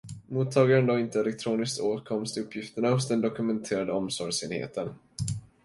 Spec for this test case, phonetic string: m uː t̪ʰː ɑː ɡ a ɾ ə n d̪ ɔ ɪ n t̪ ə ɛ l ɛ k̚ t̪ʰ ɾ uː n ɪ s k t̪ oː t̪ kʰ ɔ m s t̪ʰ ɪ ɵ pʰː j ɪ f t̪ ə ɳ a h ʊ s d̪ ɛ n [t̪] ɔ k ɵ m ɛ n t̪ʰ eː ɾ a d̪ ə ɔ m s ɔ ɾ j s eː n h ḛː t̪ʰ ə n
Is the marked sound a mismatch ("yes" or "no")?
yes